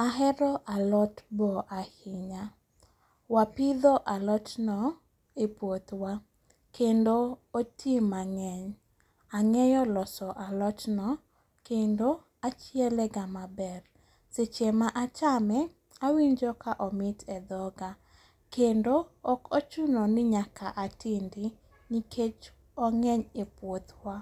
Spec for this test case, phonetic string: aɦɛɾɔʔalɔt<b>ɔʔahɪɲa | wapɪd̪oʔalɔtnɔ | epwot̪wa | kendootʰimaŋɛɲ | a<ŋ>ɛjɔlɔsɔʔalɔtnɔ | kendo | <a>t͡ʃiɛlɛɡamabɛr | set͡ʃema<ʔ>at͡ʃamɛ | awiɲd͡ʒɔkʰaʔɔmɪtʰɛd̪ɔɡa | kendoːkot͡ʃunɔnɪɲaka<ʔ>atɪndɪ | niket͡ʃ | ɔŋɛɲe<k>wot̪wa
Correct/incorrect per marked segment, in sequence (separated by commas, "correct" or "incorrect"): correct, correct, correct, correct, correct, incorrect